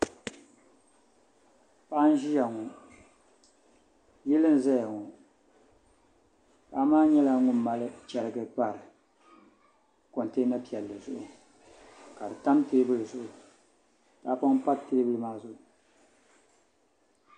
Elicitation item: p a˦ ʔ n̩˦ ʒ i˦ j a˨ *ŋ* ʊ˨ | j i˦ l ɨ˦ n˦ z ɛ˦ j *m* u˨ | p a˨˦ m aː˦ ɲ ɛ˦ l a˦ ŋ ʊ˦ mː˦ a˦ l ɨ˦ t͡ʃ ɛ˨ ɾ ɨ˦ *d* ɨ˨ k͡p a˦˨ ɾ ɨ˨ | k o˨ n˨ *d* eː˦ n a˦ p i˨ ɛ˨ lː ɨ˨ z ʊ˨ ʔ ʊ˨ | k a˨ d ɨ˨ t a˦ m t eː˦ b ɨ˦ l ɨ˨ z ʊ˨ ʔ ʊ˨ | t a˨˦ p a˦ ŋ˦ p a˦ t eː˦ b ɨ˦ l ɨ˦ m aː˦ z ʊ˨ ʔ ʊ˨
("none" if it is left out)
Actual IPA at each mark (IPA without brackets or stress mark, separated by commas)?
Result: ŋ, ŋ, ɡ, t